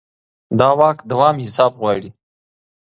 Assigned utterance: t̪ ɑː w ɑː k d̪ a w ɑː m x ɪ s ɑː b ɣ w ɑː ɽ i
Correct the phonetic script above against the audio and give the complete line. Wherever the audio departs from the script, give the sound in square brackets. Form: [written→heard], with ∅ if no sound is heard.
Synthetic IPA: [t̪→d̪] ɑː w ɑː k d̪ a w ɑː m [x→h] ɪ s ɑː b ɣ w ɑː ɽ i

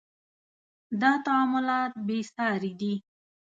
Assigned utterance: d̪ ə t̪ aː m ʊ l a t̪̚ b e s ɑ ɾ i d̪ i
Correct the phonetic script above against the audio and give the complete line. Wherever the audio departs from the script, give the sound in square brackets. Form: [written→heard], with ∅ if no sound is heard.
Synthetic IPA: d̪ [ə→ɑ] t̪ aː m ʊ l [a→ɑ] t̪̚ b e s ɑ ɾ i d̪ i

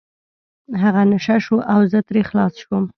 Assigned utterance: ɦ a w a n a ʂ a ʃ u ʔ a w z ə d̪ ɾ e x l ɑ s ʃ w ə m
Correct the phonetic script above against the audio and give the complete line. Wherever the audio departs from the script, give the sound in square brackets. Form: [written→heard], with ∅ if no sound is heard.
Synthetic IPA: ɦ a [w→ɣ] a n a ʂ a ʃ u ʔ a w z ə [d̪→t̪] ɾ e x l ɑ s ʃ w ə m

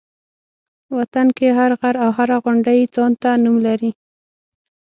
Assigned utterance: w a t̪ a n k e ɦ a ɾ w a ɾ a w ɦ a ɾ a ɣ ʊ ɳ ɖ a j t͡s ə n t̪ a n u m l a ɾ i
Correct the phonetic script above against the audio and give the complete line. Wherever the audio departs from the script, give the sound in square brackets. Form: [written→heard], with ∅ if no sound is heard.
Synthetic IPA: w a t̪ a n k e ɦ a ɾ [w→ɣ] a ɾ a w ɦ a ɾ a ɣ ʊ ɳ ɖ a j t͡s [ə→ɑ] n t̪ a n u m l a ɾ i

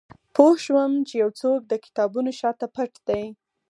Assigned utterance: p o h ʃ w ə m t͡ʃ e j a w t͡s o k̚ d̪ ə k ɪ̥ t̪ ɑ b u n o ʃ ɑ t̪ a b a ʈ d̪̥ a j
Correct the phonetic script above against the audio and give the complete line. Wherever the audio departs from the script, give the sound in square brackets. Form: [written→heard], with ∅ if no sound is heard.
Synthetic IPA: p o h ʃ w ə m t͡ʃ e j a w t͡s o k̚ d̪ ə k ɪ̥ t̪ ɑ b u n o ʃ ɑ t̪ a [b→p] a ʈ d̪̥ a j

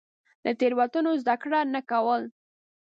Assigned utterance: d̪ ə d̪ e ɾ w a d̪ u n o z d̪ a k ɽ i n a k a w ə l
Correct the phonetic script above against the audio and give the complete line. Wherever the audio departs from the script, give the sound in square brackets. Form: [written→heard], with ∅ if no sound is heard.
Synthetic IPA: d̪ ə [d̪→t̪] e ɾ w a [d̪→t̪] u n o z d̪ a k ɽ [i→a] n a k a w ə l

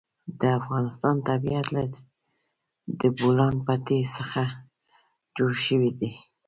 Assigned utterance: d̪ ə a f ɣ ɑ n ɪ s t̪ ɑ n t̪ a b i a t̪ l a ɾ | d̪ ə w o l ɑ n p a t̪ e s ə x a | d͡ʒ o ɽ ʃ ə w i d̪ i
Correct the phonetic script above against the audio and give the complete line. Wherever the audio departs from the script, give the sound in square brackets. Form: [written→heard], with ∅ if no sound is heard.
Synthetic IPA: d̪ ə a f ɣ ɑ n ɪ s t̪ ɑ n t̪ a b i a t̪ l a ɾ | d̪ ə [w→b] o l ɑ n p a t̪ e s ə x a | d͡ʒ o ɽ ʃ ə w i d̪ i

